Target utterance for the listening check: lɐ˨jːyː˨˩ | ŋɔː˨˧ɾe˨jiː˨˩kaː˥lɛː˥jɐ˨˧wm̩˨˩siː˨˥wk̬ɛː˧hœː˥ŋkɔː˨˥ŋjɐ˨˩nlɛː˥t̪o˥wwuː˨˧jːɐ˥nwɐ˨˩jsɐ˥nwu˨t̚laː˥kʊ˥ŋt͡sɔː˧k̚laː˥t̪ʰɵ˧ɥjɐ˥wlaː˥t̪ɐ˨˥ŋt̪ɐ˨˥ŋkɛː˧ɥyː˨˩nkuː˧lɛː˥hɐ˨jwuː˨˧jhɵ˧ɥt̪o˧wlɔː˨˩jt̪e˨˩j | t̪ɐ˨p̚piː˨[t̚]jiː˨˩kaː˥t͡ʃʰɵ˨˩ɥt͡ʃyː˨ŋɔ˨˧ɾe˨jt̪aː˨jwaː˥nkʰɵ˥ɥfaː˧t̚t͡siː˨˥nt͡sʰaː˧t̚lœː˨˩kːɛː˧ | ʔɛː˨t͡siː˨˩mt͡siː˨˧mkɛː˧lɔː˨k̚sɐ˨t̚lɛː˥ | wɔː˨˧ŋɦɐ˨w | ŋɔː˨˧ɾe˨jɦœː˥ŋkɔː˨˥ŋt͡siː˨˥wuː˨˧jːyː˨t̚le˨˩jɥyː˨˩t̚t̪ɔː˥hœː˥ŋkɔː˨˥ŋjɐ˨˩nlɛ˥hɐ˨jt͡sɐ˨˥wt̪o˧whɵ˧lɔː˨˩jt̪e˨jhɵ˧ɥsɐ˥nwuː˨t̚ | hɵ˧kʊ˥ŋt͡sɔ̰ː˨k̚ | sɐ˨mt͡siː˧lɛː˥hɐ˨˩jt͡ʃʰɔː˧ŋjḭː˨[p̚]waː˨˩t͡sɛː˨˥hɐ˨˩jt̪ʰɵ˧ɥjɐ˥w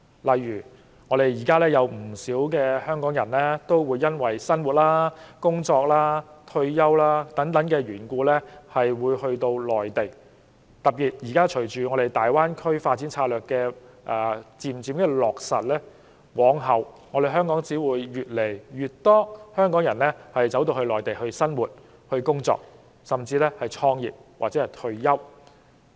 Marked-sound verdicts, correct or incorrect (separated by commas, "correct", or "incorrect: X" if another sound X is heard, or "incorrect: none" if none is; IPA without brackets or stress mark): correct, correct